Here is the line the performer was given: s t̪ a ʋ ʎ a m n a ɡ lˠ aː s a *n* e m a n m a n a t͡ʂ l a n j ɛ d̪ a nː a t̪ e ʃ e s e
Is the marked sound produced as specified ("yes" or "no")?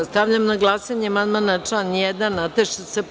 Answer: no